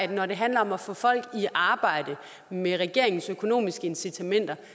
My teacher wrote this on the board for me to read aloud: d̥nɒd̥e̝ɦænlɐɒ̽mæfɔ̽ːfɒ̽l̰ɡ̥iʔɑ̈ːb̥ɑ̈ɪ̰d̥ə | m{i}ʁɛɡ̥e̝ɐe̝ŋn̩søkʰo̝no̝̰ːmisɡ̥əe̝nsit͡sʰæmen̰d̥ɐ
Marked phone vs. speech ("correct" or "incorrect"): incorrect